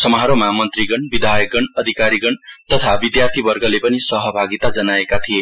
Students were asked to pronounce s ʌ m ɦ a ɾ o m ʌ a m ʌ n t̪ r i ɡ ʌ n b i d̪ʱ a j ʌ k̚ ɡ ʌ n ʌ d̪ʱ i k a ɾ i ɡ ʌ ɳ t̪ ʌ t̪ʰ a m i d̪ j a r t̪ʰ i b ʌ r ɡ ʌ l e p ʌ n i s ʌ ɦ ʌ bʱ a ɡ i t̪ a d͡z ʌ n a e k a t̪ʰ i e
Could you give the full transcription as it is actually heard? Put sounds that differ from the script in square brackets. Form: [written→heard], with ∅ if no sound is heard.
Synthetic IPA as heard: s ʌ m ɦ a ɾ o m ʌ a m ʌ n t̪ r i ɡ ʌ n b i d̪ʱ a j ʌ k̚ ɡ ʌ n ʌ d̪ʱ i k a ɾ i ɡ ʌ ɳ t̪ ʌ t̪ʰ a [m→b] i d̪ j a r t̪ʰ i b ʌ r ɡ ʌ l e p ʌ n i s ʌ ɦ ʌ bʱ a ɡ i t̪ a d͡z ʌ n a e k a t̪ʰ i e